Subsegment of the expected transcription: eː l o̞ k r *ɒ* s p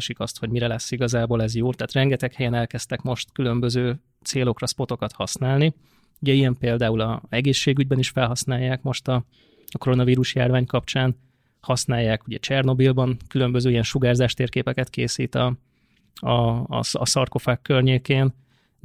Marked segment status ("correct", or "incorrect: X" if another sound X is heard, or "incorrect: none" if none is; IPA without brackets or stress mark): correct